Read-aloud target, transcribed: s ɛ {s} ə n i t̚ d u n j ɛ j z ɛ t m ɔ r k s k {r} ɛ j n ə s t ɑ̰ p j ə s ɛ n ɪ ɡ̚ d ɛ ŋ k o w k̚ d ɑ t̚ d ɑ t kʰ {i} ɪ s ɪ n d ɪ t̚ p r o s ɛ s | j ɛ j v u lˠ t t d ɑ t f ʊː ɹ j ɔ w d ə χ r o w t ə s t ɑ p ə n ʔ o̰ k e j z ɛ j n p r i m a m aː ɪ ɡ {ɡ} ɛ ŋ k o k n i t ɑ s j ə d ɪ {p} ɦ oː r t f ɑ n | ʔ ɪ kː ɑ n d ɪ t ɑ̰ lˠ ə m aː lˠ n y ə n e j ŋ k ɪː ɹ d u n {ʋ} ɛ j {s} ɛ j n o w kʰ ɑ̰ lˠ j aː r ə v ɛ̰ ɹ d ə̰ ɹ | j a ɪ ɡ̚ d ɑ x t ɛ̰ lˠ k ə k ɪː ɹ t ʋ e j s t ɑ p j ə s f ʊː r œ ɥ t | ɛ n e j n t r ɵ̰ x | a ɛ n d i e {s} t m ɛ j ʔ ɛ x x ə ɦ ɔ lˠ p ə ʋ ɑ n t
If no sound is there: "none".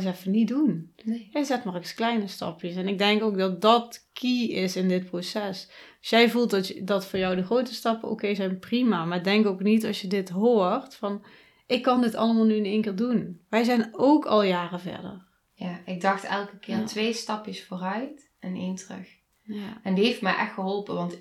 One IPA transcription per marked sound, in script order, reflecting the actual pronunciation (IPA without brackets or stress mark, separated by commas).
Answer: f, l, i, d, t, ʋ, z, f